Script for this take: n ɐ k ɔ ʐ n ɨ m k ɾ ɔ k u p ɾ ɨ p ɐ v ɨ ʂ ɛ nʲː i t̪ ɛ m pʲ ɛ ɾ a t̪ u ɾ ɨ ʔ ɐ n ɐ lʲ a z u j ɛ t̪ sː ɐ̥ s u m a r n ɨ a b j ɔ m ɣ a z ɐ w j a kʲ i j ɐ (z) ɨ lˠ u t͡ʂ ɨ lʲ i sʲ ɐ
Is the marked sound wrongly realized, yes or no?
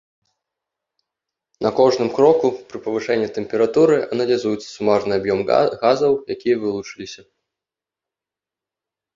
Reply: yes